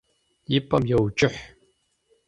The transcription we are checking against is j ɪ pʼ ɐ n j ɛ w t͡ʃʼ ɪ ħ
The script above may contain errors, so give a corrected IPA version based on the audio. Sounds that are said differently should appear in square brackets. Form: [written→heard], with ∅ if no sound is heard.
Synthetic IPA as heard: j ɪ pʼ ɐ [n→m] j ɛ w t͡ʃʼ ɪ ħ